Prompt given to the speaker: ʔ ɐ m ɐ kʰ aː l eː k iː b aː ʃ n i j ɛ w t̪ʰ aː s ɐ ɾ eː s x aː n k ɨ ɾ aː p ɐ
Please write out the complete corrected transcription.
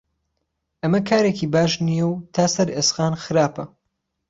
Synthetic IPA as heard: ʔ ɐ m ɐ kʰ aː ɾ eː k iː b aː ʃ n i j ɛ w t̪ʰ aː s ɐ ɾ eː s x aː n x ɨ ɾ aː p ɐ